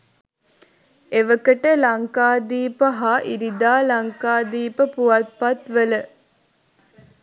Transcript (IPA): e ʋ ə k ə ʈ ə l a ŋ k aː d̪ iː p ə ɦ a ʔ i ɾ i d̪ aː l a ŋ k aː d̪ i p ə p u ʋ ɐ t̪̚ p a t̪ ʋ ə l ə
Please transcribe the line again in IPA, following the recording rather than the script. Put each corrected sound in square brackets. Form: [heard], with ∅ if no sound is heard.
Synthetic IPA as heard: e ʋ ə k ə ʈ ə l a ŋ k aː d̪ iː p ə ɦ a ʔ i ɾ i d̪ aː l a ŋ k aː d̪ [iː] p ə p u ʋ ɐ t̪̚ p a t̪ ʋ ə l ə

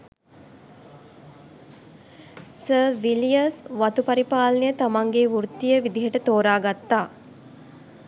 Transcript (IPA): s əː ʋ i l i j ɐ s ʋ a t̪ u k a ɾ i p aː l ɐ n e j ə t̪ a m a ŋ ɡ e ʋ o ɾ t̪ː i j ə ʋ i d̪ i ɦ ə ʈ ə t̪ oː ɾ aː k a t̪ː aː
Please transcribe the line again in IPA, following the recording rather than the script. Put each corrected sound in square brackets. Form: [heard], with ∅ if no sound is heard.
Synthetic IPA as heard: s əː ʋ i l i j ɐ s ʋ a t̪ u [p] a ɾ i p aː l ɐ n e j ə t̪ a m a ŋ ɡ e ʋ [u] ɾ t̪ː i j ə ʋ i d̪ i ɦ ə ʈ ə t̪ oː ɾ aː [ɡ] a t̪ː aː

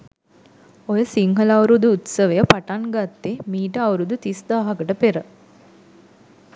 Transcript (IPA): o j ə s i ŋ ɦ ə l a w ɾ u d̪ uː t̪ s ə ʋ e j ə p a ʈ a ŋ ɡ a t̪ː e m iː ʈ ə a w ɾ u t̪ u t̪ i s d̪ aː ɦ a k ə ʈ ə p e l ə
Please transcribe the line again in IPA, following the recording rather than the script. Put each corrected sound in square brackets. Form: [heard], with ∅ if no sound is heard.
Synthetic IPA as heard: o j ə s i ŋ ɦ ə l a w ɾ u d̪ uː t̪ s ə ʋ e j ə p a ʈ a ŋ ɡ a t̪ː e m iː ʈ ə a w ɾ u [d̪] u t̪ i s d̪ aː ɦ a k ə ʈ ə p e [ɾ] ə

